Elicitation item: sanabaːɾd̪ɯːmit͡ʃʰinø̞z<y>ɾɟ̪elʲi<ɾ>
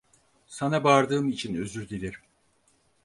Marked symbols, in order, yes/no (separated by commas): yes, yes